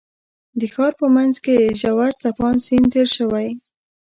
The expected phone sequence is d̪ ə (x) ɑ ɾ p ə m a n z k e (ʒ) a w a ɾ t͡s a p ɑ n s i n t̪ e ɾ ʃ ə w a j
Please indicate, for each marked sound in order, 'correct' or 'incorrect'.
correct, correct

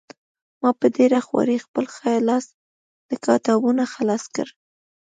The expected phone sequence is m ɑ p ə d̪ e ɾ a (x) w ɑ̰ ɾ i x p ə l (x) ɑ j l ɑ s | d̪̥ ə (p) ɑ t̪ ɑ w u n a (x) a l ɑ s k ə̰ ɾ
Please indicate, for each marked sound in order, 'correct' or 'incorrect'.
correct, correct, incorrect: k, correct

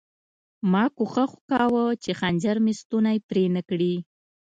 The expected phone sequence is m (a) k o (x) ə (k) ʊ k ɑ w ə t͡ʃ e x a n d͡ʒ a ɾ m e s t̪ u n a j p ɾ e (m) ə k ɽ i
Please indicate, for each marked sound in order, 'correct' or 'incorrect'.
incorrect: ɑ, correct, incorrect: x, incorrect: n

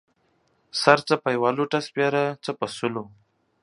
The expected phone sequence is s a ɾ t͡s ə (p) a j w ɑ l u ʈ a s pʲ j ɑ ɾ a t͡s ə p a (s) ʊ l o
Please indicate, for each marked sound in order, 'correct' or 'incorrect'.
correct, correct

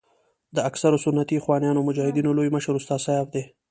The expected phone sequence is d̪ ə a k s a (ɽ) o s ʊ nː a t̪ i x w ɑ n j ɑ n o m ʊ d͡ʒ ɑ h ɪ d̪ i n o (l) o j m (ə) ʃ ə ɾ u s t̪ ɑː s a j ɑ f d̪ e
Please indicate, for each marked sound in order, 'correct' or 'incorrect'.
incorrect: ɾ, correct, correct

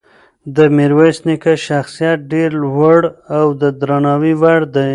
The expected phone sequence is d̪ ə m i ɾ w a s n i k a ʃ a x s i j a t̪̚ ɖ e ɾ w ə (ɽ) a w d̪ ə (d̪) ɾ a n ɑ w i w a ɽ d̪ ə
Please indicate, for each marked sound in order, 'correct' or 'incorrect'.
correct, correct

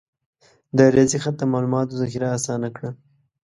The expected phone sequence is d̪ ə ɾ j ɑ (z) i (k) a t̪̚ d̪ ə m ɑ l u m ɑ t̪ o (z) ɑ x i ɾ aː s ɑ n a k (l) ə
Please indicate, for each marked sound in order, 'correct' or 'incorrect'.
correct, incorrect: x, correct, incorrect: ɽ

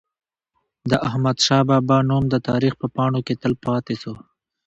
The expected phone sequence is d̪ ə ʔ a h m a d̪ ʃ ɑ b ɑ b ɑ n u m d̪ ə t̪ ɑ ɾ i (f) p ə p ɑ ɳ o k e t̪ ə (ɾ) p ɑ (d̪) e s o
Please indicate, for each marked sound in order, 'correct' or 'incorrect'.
incorrect: x, incorrect: l, incorrect: t̪

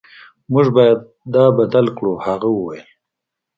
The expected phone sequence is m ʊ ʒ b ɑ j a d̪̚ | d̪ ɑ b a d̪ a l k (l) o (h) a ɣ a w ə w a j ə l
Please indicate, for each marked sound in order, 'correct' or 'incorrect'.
incorrect: ɽ, correct

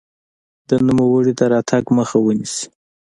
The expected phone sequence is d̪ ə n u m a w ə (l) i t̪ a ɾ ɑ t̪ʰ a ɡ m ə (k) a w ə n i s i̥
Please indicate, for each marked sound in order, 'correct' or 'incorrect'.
incorrect: ɽ, incorrect: x

